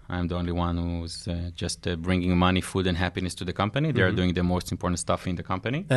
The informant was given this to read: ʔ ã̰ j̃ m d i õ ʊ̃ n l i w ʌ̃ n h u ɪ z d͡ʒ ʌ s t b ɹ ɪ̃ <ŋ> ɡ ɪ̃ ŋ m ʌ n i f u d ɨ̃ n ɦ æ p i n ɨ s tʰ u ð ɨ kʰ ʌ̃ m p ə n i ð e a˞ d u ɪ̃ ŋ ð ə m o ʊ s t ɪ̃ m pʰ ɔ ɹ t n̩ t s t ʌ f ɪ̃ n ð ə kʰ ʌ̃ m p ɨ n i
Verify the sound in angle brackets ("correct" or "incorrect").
correct